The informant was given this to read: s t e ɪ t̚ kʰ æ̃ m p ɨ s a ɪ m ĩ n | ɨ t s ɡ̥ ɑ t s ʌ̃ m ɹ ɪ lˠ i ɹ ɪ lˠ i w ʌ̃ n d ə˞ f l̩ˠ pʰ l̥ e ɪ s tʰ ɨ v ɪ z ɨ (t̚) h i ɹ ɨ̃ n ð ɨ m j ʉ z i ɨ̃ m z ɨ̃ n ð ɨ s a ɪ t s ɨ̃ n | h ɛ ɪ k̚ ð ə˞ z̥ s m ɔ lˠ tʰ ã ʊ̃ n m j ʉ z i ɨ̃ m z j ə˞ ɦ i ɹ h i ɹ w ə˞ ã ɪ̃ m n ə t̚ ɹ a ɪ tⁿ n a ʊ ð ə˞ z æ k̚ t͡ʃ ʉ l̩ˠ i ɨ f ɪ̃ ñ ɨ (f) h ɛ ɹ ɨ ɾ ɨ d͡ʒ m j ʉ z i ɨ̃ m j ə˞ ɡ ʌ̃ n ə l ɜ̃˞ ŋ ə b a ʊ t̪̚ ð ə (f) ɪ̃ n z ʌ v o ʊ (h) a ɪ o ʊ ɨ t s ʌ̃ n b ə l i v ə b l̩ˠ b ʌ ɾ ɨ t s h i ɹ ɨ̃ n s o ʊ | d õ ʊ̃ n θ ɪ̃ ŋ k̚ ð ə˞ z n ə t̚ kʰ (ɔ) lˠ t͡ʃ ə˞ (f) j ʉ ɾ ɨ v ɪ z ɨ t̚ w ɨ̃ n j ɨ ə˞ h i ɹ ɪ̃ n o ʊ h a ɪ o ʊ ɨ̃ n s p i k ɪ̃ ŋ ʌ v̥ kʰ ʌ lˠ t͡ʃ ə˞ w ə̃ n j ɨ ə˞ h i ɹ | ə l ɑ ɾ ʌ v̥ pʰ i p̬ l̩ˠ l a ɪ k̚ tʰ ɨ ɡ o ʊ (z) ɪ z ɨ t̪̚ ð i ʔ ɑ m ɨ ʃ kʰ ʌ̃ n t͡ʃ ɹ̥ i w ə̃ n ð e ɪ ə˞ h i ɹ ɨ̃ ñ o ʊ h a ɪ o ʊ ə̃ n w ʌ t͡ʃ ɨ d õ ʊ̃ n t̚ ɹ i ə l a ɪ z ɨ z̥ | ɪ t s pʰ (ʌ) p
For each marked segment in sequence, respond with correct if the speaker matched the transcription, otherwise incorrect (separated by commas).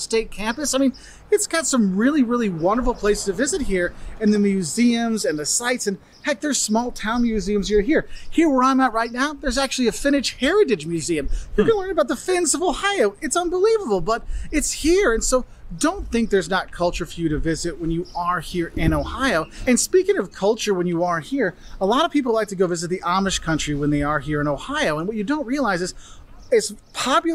correct, incorrect, correct, correct, incorrect, correct, incorrect, incorrect